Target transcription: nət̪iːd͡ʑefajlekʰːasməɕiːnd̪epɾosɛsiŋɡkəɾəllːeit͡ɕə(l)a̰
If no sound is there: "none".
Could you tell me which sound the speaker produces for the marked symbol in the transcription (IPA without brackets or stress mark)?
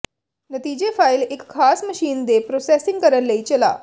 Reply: l